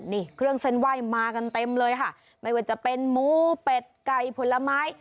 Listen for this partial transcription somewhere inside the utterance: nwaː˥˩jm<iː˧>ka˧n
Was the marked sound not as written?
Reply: yes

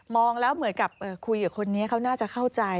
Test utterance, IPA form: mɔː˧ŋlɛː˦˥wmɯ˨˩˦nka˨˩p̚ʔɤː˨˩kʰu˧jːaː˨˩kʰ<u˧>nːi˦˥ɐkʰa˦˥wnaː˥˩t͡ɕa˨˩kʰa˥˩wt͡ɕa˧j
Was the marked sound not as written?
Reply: yes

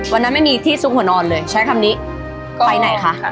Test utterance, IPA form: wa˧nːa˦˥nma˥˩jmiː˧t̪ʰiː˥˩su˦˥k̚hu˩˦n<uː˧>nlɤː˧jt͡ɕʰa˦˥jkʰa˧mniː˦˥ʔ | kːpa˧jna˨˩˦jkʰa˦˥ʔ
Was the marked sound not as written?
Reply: yes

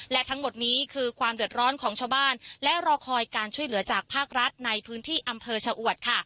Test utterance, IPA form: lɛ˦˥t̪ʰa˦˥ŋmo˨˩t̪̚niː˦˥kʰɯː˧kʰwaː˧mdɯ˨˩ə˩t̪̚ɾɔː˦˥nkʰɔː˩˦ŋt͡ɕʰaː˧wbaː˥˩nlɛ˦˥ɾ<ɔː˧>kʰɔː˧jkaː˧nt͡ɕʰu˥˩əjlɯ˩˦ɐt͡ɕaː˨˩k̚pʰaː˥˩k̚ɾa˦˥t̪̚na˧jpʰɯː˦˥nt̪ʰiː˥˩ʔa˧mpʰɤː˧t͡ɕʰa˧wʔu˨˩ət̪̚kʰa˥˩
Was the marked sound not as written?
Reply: no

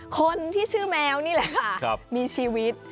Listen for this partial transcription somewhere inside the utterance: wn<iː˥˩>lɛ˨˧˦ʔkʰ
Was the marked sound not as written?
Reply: no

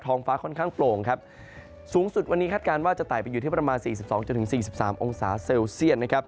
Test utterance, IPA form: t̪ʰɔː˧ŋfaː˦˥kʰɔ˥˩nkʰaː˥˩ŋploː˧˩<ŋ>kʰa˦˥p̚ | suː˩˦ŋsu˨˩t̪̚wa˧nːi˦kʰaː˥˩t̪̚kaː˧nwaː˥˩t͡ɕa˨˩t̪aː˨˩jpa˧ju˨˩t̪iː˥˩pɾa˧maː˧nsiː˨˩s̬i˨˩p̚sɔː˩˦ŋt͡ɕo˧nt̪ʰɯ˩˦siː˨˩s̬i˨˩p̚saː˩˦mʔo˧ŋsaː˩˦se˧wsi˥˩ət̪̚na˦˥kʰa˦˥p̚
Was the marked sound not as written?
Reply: no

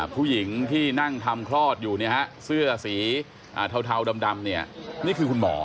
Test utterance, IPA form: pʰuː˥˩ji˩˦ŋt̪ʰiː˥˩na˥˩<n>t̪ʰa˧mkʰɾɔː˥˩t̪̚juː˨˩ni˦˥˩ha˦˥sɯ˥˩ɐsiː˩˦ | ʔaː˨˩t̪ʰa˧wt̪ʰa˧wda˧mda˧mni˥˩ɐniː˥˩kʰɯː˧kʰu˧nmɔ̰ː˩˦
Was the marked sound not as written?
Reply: yes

